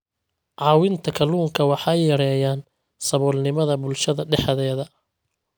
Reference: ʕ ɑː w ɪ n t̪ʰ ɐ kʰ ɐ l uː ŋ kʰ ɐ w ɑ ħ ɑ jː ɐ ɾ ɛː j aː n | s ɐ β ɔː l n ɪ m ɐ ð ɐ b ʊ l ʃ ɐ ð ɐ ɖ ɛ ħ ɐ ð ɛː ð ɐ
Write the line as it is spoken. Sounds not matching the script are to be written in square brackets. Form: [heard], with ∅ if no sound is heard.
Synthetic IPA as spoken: ʕ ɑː w ɪ n t̪ʰ ɐ kʰ ɐ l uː ŋ kʰ ɐ w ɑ ħ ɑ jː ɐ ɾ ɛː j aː n | s ɐ β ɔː l n ɪ m ɐ ð ɐ b ʊ l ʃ ɐ ð ɐ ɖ ɛ ħ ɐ ð ɛː ð ɐ